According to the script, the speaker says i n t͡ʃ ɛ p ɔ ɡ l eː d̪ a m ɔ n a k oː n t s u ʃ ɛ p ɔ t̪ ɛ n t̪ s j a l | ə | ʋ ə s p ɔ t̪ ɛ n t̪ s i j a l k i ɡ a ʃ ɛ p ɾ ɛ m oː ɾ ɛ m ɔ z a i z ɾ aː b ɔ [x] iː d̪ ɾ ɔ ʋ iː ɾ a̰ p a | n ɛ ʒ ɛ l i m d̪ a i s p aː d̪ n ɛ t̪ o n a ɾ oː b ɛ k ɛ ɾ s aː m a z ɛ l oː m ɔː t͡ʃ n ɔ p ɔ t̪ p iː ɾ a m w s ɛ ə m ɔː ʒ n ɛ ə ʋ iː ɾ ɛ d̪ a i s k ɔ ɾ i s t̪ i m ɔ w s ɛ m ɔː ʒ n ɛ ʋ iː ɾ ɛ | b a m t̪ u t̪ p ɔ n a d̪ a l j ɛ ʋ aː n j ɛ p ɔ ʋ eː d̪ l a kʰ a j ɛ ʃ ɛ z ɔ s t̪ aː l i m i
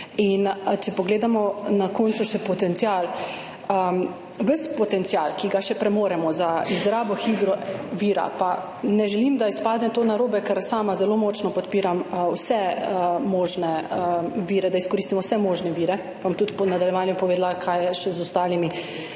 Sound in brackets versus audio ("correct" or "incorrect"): correct